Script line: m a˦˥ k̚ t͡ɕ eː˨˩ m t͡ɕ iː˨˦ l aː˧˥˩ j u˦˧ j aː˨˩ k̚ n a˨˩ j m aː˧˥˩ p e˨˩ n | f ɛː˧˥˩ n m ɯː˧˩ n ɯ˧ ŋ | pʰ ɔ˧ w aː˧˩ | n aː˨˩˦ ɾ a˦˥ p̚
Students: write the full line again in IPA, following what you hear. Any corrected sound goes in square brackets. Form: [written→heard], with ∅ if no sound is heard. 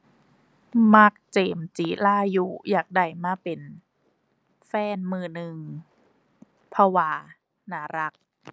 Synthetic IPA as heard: m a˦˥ k̚ t͡ɕ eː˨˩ m t͡ɕ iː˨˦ l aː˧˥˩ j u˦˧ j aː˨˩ k̚ [n→d] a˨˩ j m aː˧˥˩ p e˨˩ n | f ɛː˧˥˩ n m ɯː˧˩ n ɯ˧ ŋ | pʰ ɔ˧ w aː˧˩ | n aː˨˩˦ ɾ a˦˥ [p̚→k̚]